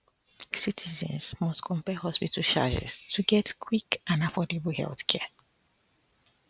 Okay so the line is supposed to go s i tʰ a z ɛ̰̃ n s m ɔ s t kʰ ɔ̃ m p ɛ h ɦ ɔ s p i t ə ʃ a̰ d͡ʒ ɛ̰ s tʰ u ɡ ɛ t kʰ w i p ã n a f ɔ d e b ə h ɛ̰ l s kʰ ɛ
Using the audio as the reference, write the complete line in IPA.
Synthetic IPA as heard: s i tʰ i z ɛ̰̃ n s m ɔ s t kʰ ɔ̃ m p ɛ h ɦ ɔ s p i t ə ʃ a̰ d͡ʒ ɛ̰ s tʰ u ɡ ɛ t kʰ w i k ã n a f ɔ d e b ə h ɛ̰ l θ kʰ ɛ